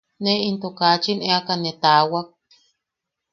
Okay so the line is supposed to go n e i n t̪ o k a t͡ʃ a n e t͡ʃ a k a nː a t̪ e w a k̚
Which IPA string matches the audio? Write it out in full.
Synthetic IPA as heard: n e i n t̪ o k a t͡ʃ i n e a k a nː e t̪ a w a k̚

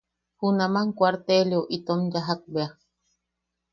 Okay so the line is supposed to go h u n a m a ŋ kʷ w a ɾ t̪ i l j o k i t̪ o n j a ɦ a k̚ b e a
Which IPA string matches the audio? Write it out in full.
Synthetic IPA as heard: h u n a m a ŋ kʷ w a ɾ t̪ e l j o ʔ i t̪ o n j a ɦ a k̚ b e a

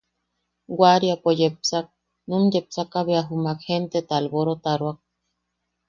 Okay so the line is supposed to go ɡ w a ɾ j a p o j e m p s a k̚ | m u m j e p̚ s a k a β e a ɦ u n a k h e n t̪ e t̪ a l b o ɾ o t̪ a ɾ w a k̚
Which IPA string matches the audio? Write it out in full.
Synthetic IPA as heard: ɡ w a ɾ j a p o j e p s a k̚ | n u m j e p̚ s a k a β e a ɦ u m a k h e n t̪ e t̪ a l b o ɾ o t̪ a ɾ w a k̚

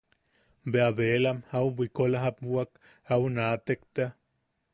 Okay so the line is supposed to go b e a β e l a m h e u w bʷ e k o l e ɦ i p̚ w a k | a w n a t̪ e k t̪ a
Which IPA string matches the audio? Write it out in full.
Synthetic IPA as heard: b e a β e l a m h a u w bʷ i k o l a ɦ a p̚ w a k | a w n a t̪ e k t̪ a

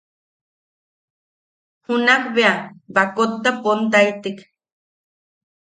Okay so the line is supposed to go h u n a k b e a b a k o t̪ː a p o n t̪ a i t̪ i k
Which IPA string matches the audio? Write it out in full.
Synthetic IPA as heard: h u n a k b e a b a k o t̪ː a p o n t̪ a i t̪ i k

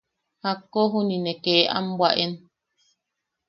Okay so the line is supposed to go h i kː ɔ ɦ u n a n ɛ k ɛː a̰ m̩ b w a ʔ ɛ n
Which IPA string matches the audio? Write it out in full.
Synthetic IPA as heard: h a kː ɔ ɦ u n i n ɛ k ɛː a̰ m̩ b w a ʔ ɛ n

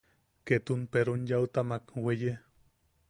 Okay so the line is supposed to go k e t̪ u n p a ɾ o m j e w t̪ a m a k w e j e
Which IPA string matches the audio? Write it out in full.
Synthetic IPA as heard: k e t̪ u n p e ɾ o n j a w t̪ a m a k w e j e

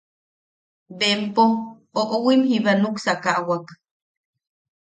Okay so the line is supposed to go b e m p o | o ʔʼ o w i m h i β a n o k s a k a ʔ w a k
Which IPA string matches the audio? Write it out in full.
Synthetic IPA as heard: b e m p o | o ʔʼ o w i m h i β a n u k s a k a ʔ w a k

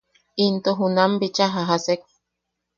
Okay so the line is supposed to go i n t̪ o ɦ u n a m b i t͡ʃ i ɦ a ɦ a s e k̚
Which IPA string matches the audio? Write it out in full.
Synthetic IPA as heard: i n t̪ o ɦ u n a m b i t͡ʃ a ɦ a ɦ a s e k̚

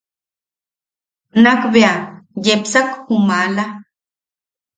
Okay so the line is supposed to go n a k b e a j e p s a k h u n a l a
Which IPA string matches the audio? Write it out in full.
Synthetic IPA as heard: n a k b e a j e p s a k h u m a l a

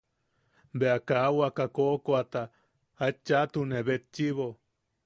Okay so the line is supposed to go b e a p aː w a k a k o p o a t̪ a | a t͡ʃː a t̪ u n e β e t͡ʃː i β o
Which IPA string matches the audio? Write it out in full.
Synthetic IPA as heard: b e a k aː w a k a k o k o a t̪ a | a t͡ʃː a t̪ u n e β e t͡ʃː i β o

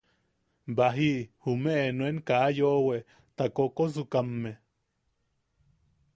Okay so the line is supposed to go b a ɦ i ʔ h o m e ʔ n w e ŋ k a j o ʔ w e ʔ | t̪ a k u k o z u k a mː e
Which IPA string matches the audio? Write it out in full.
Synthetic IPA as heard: b a ɦ i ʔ h u m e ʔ n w e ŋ k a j o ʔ w e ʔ | t̪ a k o k o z u k a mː e

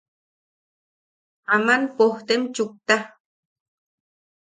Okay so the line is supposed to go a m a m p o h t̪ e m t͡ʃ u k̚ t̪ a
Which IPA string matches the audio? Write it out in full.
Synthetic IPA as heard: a m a n p o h t̪ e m t͡ʃ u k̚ t̪ a

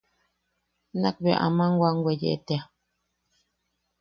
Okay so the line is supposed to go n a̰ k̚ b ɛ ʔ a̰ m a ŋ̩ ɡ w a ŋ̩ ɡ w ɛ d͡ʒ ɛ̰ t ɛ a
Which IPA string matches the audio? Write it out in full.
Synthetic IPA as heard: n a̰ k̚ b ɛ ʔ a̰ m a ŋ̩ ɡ w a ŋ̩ ɡ w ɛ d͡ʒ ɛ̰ t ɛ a

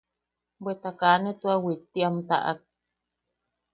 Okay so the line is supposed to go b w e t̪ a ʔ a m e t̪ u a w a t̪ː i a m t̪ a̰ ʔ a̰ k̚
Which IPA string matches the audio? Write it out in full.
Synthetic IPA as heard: b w e t̪ a k a n e t̪ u a w i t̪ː i a m t̪ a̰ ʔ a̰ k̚

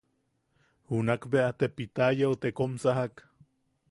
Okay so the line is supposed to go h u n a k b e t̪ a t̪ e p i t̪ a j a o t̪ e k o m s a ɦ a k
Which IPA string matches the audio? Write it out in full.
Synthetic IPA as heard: h u n a k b e a t̪ e p i t̪ a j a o t̪ e k o m s a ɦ a k

